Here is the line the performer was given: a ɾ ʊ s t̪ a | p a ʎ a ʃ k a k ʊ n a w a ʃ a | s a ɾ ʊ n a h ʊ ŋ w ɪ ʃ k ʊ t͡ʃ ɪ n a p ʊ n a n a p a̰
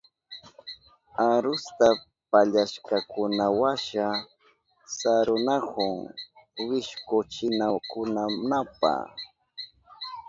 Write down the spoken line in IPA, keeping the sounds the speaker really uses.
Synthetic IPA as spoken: a ɾ ʊ s t̪ a | p a ʎ a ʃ k a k ʊ n a w a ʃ a | s a ɾ ʊ n a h ʊ ŋ w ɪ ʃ k ʊ t͡ʃ ɪ n a k ʊ n a n a p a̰